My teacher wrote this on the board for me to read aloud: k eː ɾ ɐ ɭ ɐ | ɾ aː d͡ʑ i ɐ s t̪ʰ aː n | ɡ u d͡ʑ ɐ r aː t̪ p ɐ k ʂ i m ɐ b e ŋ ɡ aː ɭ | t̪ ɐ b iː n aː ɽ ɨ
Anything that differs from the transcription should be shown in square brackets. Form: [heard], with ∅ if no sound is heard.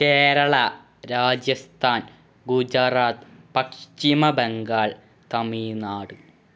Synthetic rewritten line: k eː ɾ ɐ ɭ ɐ | ɾ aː d͡ʑ [j] ɐ s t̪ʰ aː n | ɡ u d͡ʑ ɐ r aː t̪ p ɐ k ʂ i m ɐ b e ŋ ɡ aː ɭ | t̪ ɐ [m] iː n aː ɽ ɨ